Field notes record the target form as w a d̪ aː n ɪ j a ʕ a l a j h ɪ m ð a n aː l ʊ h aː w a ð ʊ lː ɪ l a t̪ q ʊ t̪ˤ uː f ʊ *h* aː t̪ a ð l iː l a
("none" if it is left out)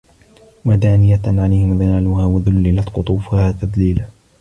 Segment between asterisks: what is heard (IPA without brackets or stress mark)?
h